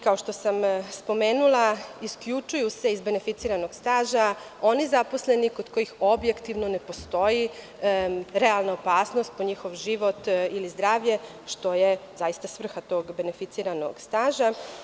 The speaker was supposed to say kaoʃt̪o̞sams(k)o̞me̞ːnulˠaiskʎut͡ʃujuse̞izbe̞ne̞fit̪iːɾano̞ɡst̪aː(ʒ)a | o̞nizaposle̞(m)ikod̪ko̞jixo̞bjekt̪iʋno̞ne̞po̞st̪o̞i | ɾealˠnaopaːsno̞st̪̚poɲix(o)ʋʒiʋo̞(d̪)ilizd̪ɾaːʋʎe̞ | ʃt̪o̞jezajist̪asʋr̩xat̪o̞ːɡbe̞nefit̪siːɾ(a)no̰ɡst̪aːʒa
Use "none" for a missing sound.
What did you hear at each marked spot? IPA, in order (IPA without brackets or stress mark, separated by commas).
p, ʒ, n, o, t̪, a